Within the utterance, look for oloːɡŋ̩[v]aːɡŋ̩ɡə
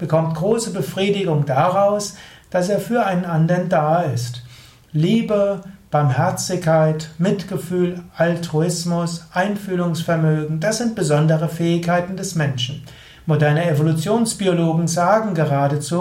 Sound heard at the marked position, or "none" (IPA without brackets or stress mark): z